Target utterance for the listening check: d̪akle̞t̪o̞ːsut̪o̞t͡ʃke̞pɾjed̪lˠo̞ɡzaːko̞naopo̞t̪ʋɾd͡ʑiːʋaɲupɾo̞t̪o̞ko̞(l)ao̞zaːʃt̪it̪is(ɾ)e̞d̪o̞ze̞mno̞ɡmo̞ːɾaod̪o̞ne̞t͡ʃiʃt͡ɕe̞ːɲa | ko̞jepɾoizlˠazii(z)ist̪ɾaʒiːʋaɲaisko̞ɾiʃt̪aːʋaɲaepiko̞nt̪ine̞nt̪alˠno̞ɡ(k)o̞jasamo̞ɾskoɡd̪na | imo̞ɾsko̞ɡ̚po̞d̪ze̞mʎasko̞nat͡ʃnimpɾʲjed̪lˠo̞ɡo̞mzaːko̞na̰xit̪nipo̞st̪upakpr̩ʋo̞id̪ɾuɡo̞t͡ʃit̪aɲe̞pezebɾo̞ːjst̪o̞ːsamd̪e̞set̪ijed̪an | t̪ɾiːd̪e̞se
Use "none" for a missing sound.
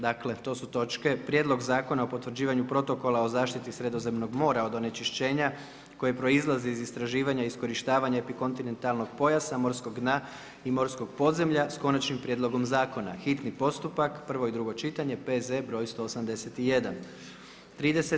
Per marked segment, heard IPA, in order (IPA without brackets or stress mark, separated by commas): l, ɾ, z, p